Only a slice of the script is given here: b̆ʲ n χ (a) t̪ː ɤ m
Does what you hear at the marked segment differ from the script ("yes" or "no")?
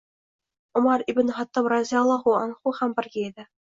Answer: yes